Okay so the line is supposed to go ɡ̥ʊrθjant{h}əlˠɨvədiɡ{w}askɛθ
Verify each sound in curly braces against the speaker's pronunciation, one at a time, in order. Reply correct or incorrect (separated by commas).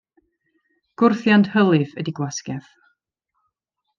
correct, correct